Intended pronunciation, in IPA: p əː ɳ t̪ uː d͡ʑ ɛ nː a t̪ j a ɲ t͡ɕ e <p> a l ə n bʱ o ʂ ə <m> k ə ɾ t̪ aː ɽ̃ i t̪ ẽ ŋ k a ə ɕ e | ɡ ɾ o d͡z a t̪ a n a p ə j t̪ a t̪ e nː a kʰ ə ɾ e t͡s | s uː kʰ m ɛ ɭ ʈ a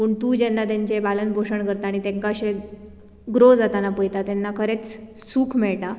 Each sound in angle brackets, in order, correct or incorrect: incorrect: b, incorrect: ɳ

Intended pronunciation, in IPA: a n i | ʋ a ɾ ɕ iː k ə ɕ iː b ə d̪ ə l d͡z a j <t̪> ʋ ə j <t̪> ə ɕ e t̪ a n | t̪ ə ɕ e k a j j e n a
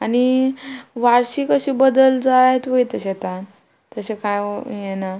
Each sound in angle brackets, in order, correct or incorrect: correct, correct

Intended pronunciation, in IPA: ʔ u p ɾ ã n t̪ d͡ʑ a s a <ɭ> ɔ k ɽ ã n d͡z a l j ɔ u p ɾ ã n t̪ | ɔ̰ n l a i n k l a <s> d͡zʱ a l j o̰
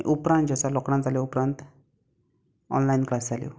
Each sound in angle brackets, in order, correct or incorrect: incorrect: l, correct

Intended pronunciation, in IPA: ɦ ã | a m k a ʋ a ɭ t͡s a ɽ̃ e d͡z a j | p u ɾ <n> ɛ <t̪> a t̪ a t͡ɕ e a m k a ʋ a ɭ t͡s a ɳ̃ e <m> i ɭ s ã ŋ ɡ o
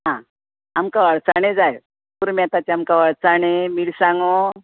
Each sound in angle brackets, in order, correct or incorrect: incorrect: m, incorrect: none, correct

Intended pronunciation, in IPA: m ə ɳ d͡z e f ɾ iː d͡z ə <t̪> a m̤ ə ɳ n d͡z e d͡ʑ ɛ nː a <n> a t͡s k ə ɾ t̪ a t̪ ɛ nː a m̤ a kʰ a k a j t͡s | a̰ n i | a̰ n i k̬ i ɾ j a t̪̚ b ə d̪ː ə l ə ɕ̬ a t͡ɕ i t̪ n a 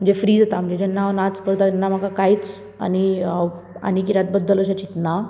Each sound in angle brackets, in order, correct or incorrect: correct, correct

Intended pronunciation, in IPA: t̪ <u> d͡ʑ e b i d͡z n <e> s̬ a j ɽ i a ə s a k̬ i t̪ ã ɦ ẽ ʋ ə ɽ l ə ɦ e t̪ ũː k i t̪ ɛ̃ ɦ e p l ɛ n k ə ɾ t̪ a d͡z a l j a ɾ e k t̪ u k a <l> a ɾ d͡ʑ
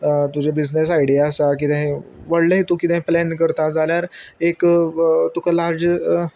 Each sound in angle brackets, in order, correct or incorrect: correct, correct, correct

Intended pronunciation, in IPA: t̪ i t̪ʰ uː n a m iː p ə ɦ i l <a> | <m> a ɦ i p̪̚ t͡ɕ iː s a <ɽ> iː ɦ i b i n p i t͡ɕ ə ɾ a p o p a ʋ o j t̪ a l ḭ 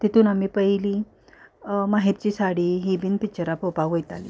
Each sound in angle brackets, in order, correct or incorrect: incorrect: i, correct, correct

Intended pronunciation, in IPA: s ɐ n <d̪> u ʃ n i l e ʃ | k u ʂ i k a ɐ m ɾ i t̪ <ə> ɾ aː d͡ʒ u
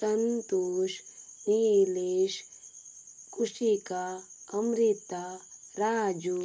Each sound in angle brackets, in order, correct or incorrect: incorrect: t̪, incorrect: a

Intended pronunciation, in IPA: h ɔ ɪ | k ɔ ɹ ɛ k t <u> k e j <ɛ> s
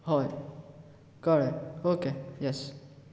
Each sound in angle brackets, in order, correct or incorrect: incorrect: o, correct

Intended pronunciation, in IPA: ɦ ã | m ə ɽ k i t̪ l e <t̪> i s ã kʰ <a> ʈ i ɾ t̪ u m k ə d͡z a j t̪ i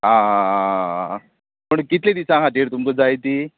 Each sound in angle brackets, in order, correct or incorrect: incorrect: d̪, correct

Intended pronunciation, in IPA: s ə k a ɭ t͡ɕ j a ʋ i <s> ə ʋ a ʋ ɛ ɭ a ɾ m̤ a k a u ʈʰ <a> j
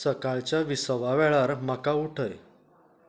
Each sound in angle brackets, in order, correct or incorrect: correct, incorrect: ə

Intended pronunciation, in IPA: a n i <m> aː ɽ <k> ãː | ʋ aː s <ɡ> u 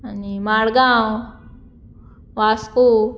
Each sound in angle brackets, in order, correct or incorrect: correct, incorrect: ɡ, incorrect: k

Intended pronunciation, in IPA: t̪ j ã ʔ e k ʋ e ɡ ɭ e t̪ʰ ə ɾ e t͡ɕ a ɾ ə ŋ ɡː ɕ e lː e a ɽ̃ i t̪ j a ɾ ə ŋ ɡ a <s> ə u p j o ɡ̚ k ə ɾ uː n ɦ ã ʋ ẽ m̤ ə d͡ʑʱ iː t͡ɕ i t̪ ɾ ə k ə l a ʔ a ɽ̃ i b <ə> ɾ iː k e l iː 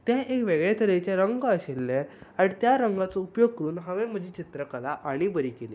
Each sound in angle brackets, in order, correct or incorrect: incorrect: t͡s, correct

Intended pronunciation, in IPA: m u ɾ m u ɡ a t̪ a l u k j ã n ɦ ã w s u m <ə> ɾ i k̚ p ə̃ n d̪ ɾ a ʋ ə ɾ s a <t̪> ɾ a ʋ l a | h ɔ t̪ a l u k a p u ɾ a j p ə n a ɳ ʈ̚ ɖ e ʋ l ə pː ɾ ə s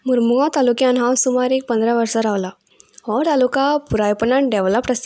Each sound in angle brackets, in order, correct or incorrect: incorrect: a, incorrect: none

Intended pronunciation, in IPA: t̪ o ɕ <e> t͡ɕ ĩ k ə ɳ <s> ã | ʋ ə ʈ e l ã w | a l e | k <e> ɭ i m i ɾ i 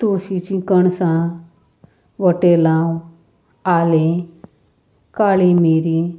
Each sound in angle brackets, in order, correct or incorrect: incorrect: i, correct, incorrect: a

